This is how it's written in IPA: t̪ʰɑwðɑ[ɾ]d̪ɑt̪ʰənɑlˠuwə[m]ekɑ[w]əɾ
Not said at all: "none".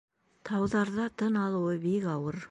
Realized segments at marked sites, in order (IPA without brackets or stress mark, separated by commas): ɾ, b, w